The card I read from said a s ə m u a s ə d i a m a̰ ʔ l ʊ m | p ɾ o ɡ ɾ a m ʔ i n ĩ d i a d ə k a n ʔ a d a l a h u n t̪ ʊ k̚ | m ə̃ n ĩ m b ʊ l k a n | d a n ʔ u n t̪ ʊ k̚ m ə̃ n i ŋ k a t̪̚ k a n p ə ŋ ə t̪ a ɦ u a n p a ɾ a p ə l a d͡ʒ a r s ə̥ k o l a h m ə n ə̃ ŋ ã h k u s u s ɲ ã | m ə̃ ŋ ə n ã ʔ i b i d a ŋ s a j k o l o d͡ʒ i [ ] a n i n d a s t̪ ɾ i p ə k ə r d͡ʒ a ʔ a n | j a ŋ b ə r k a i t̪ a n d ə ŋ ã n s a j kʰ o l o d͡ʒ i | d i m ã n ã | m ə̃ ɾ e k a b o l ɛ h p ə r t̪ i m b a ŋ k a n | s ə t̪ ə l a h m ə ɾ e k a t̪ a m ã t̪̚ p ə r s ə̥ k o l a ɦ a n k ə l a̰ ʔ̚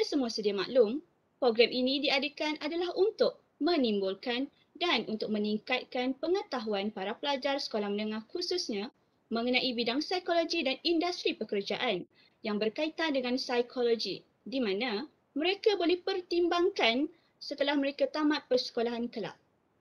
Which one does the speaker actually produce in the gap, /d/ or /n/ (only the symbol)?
d